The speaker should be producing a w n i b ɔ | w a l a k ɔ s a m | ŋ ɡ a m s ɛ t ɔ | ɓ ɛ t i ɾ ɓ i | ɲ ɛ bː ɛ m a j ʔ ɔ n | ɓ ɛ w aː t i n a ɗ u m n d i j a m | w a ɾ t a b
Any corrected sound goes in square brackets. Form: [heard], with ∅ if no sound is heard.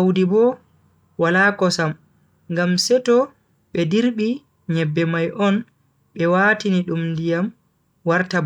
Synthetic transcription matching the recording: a w [d] i b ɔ | w a l a k ɔ s a m | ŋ ɡ a m s ɛ t ɔ | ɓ ɛ [d] i ɾ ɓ i | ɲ ɛ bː ɛ m a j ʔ ɔ n | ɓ ɛ w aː t i n [i] ɗ u m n d i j a m | w a ɾ t a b